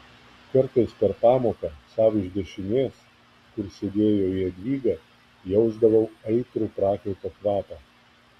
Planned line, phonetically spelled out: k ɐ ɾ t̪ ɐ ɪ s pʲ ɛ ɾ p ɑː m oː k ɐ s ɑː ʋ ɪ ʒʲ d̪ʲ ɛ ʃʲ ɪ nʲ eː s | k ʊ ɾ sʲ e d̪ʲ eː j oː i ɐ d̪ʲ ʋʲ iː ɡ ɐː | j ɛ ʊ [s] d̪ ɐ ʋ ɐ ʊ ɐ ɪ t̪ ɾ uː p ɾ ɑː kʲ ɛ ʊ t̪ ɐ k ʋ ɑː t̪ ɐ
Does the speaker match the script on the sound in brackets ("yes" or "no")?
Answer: no